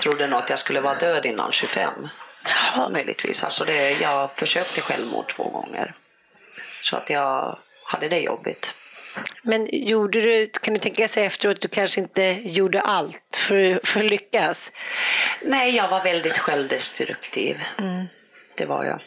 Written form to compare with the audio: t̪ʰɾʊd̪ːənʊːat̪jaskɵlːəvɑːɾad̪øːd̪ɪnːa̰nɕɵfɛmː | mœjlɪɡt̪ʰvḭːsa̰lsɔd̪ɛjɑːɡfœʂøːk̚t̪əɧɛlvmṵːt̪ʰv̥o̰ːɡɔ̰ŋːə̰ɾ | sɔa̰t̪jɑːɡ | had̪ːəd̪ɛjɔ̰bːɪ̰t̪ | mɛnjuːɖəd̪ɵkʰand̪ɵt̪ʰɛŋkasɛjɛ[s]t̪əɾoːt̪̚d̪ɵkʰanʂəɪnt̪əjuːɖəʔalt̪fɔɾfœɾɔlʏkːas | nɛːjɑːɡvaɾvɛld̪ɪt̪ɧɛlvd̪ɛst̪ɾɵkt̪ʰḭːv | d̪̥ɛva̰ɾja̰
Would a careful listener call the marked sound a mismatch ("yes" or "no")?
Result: yes